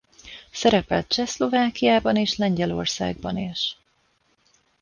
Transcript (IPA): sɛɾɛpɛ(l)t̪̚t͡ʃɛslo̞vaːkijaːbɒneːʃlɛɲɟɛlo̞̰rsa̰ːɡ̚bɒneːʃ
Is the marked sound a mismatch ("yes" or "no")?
no